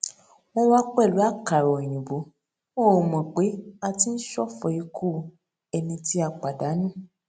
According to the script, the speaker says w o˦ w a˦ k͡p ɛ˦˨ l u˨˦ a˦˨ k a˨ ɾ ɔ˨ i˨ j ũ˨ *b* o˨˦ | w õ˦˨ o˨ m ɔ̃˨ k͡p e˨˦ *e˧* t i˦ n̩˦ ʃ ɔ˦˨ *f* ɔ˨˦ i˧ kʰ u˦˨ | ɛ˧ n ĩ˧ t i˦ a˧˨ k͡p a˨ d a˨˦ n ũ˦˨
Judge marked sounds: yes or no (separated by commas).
yes, no, yes